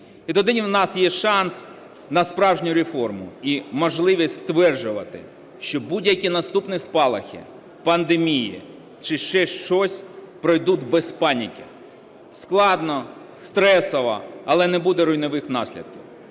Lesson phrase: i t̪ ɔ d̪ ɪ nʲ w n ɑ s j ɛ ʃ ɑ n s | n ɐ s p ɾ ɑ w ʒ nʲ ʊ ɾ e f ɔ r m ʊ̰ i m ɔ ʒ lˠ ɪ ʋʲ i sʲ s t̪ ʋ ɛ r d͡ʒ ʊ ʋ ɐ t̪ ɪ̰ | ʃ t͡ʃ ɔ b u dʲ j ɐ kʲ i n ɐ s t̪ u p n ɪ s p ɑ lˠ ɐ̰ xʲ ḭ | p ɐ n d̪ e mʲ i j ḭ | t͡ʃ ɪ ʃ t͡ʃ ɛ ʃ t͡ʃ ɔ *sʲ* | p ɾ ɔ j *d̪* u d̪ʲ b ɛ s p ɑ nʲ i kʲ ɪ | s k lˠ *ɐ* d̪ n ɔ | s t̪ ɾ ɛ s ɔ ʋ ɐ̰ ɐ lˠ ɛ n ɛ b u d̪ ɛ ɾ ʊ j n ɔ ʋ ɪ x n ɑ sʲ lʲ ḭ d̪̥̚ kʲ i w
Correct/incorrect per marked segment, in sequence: correct, correct, incorrect: ɑ

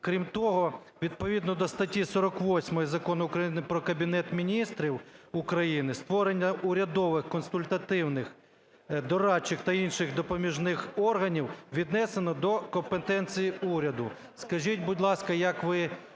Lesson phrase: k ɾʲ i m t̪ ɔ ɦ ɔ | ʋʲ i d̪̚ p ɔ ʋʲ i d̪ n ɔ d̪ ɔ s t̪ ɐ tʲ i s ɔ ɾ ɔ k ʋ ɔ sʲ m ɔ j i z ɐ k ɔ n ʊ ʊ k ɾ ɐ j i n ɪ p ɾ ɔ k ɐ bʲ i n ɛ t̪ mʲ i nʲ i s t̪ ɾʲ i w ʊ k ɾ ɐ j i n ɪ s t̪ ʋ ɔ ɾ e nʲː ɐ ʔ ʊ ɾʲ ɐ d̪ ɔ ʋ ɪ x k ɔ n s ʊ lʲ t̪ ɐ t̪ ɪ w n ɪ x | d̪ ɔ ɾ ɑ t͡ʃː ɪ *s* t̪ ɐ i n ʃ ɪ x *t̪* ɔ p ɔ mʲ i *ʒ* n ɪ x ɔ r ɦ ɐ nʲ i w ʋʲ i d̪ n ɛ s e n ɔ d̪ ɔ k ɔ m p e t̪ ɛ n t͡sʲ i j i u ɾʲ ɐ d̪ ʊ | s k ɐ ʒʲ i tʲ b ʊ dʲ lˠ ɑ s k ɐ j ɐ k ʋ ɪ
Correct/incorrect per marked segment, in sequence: incorrect: x, incorrect: d̪, correct

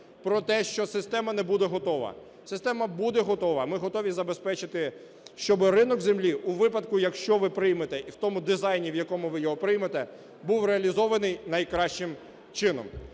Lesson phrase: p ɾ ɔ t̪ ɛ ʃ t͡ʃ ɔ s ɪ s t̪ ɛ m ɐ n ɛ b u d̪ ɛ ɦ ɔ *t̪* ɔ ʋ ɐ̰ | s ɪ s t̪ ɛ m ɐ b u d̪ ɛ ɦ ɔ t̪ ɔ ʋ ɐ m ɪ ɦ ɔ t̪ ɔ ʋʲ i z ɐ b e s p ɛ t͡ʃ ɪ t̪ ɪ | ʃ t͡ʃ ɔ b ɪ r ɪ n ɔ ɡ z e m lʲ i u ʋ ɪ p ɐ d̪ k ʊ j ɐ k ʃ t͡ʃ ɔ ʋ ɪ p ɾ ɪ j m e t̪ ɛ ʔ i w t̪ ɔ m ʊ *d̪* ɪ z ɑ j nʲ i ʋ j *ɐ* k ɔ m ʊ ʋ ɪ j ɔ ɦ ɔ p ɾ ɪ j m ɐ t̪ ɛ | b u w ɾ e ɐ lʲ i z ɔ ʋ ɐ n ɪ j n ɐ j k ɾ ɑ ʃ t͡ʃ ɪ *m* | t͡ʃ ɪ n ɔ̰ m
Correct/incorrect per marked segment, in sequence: correct, correct, correct, correct

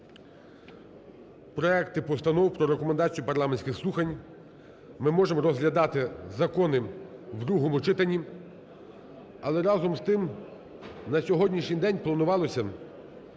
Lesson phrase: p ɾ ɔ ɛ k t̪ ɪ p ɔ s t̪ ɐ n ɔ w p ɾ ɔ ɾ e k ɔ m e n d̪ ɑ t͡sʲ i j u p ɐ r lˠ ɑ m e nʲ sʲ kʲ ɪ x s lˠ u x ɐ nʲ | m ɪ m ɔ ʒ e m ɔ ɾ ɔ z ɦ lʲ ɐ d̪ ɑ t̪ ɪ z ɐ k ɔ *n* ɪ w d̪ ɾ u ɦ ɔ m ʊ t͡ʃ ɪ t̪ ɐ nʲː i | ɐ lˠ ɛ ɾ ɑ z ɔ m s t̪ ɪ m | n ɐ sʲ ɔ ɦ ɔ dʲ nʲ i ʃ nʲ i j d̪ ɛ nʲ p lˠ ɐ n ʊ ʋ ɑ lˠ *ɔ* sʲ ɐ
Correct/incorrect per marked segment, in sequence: correct, correct

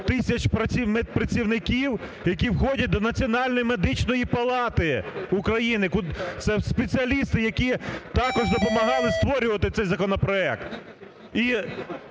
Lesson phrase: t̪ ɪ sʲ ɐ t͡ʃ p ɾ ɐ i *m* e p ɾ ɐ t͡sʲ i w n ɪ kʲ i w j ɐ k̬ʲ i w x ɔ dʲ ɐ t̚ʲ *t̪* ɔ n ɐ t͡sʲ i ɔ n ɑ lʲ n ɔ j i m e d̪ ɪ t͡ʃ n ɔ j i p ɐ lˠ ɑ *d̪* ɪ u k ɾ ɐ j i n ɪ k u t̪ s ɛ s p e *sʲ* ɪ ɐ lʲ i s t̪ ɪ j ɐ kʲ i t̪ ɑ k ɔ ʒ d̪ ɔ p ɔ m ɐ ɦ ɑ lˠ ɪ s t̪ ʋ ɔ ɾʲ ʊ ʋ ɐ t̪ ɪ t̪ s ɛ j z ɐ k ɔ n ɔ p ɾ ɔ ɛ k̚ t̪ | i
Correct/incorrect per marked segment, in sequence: correct, incorrect: d̪, incorrect: t̪, incorrect: t͡sʲ

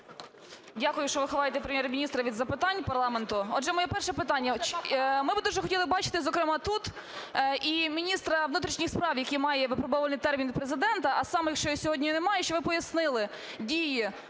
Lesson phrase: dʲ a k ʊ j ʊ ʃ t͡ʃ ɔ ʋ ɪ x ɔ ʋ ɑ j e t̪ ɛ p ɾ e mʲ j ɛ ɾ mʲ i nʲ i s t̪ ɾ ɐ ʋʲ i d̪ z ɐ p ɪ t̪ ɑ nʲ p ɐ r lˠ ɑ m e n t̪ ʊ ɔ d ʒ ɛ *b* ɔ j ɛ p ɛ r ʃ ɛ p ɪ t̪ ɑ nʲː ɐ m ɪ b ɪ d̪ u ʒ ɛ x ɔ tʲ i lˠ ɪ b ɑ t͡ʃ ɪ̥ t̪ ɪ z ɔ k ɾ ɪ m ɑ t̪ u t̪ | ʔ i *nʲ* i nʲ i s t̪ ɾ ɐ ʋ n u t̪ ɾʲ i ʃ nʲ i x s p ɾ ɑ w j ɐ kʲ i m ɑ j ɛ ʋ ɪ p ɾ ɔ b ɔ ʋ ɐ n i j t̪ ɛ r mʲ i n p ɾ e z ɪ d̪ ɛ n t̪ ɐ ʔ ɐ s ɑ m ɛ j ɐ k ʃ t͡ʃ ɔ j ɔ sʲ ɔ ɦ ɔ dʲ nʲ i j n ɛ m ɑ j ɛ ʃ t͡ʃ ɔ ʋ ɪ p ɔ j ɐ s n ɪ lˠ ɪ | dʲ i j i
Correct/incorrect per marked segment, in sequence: incorrect: m, incorrect: mʲ

